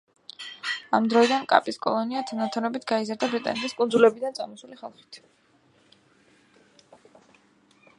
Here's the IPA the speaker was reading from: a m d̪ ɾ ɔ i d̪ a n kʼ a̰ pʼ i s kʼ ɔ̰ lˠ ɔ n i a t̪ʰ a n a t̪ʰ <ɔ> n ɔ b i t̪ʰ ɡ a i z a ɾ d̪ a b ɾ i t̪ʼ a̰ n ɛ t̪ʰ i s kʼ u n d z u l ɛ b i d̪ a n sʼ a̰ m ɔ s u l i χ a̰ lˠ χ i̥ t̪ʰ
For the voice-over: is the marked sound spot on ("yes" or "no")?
yes